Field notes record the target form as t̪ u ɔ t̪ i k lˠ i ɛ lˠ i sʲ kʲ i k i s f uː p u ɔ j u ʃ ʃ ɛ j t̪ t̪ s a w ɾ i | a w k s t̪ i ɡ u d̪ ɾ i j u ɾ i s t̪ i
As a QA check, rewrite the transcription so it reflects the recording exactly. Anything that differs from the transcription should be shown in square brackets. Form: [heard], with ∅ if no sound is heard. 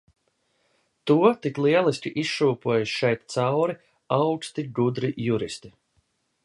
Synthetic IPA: t̪ u ɔ t̪ i k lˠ i ɛ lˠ i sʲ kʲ i [ʔ] i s [ʃ] uː p u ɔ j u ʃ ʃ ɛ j t̪ t̪ s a w ɾ i | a w k s t̪ i ɡ u d̪ ɾ i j u ɾ i s t̪ i